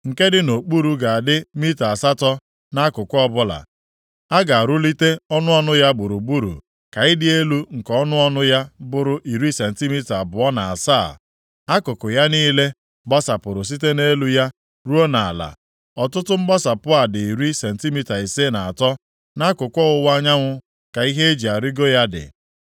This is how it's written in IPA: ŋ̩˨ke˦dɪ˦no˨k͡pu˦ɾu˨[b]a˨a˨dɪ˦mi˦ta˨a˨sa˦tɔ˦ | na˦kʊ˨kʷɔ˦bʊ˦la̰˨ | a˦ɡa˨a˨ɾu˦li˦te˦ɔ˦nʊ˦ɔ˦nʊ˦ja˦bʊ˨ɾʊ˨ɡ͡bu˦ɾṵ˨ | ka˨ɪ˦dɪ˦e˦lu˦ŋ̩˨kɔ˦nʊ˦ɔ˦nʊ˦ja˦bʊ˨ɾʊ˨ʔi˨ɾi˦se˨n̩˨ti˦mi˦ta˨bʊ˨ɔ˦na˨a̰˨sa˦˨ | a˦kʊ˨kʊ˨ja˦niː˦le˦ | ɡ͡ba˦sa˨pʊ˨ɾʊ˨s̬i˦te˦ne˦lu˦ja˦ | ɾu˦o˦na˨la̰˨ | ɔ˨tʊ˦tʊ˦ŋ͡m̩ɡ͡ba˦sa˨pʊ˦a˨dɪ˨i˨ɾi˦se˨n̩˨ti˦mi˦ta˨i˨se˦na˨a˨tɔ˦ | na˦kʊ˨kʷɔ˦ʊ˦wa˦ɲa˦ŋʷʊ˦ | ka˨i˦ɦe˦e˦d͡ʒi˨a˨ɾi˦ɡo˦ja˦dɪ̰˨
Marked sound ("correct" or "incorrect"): incorrect